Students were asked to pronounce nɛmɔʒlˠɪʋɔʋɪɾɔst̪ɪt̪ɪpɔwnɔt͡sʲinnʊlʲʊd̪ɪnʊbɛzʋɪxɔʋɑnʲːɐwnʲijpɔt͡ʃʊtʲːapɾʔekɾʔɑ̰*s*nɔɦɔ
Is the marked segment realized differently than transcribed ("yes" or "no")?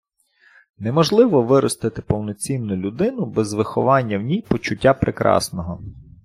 no